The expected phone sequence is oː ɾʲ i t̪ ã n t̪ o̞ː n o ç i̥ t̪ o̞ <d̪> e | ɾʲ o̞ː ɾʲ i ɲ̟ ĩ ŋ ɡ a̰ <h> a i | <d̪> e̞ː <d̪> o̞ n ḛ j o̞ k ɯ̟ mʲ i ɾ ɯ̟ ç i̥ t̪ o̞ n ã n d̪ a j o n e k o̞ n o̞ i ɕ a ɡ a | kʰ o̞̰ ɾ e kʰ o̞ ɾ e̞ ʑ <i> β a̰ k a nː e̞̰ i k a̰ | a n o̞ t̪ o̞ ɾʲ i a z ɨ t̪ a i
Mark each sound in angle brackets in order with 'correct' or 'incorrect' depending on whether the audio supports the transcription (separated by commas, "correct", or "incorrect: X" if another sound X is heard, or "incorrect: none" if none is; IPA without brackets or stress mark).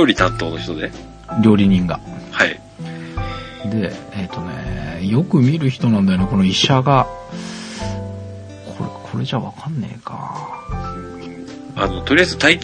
correct, correct, correct, incorrect: t̪, incorrect: a